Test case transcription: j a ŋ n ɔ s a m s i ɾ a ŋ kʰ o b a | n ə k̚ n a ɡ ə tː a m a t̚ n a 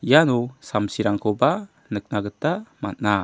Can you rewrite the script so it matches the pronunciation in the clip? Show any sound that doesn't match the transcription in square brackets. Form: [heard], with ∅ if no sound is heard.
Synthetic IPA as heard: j a [∅] n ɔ s a m s i ɾ a ŋ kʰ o b a | n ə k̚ n a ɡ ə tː a m a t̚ n a